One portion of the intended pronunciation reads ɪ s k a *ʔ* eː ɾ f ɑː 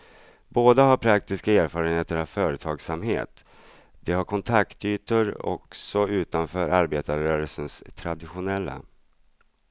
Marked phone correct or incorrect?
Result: incorrect